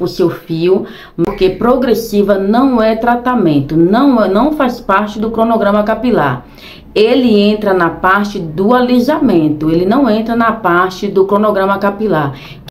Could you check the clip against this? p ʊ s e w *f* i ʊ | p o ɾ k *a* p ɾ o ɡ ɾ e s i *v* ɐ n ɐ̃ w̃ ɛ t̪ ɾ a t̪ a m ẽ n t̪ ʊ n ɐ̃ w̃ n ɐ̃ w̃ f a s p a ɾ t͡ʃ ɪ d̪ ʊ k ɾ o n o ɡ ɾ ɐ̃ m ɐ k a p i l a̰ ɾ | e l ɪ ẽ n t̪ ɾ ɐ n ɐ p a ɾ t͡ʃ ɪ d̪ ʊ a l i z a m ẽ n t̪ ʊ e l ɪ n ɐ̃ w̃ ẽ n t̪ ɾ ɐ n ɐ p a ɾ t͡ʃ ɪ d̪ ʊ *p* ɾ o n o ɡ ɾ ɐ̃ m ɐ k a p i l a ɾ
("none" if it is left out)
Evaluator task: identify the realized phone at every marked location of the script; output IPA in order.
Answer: f, e, v, k

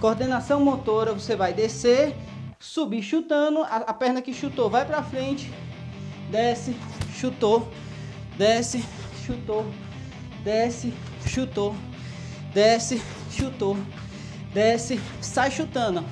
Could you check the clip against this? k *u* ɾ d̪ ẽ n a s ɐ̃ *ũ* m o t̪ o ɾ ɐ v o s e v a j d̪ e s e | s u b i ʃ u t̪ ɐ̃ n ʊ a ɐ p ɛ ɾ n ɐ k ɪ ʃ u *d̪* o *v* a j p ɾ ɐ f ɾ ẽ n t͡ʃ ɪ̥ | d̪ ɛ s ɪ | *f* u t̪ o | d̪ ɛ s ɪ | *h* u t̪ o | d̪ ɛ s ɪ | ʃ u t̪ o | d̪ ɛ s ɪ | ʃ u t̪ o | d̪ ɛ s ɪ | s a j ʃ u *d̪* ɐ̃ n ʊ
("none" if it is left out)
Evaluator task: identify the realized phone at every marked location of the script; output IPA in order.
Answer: o, w̃, t̪, v, ʃ, ʃ, t̪

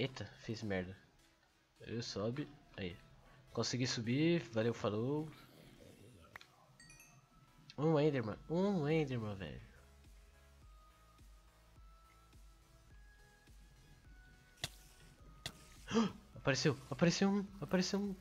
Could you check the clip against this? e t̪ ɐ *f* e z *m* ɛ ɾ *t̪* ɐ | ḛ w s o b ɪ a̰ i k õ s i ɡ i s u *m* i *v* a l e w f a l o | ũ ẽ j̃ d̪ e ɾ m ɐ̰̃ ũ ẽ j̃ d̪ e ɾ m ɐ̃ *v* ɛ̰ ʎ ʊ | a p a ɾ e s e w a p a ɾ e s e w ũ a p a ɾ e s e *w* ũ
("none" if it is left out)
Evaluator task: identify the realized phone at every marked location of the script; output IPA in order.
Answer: f, m, d̪, b, v, v, w

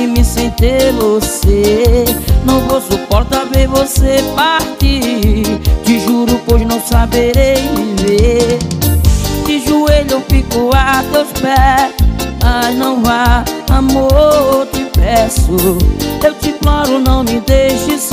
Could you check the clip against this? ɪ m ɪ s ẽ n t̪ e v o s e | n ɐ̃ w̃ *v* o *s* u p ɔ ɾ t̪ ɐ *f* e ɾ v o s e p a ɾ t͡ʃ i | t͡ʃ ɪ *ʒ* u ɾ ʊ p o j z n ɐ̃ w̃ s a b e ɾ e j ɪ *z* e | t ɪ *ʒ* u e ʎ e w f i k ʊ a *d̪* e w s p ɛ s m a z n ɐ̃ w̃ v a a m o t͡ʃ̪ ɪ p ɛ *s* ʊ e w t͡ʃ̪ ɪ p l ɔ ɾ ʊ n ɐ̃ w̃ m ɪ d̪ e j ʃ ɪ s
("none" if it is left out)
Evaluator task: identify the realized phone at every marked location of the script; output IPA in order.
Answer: v, s, v, ʒ, v, ʒ, t̪, s

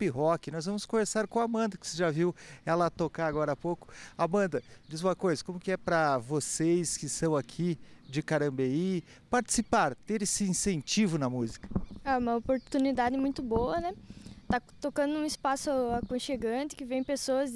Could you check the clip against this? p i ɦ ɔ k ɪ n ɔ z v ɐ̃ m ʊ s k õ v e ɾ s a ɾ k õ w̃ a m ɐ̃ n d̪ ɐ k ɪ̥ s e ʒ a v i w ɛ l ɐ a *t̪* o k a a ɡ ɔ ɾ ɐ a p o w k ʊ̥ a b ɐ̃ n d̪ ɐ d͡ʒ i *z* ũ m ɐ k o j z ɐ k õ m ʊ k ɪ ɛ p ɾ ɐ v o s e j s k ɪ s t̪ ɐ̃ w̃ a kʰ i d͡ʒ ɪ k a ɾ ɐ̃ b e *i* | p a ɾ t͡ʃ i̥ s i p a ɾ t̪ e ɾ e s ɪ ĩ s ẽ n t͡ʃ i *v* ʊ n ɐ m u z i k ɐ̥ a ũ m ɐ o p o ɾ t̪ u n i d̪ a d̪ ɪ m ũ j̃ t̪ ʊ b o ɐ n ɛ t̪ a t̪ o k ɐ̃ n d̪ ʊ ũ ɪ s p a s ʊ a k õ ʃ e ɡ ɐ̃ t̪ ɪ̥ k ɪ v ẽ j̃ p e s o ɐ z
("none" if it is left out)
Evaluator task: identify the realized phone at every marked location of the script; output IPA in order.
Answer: t̪, z, i, v

